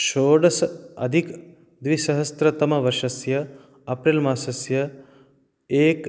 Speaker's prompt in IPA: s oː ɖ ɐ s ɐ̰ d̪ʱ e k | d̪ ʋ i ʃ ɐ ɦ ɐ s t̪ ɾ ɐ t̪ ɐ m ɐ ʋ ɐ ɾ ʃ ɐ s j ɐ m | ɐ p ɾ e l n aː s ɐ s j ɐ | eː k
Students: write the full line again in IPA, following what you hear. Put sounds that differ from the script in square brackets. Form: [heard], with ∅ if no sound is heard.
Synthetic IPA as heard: [ʃ] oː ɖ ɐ s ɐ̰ d̪ʱ [i] k | d̪ ʋ i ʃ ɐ ɦ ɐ s t̪ ɾ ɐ t̪ ɐ m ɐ ʋ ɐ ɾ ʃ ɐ s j ɐ [∅] | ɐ p ɾ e l [m] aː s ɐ s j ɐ | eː k